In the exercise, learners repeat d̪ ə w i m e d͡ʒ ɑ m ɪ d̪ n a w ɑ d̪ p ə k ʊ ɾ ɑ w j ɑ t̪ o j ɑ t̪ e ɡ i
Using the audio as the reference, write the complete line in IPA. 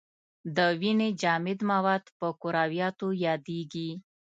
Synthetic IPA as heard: d̪ ə w i n e d͡ʒ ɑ m ɪ d̪ m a w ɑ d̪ p ə k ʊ ɾ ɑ w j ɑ t̪ o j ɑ d̪ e ɡ i